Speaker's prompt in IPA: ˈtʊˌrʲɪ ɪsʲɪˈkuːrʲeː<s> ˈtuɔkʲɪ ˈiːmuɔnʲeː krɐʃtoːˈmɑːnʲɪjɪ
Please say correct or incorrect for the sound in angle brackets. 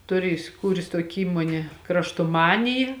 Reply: correct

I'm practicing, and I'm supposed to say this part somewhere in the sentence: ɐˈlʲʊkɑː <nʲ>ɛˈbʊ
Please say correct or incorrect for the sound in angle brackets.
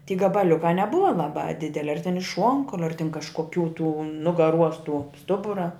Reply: correct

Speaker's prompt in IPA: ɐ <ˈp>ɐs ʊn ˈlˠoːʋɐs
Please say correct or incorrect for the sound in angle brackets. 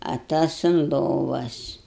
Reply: incorrect: t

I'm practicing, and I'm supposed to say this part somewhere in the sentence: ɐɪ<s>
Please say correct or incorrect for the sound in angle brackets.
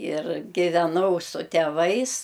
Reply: correct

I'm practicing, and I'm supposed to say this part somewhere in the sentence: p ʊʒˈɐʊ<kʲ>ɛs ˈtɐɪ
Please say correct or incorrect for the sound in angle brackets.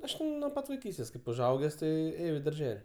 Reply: incorrect: ɡʲ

